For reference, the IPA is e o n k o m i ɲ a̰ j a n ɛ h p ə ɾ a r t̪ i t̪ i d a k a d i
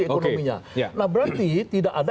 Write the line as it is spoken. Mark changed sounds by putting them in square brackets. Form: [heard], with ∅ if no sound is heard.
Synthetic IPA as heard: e o n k o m i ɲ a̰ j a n [a] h [b] ə ɾ a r t̪ i t̪ i d a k a d [a]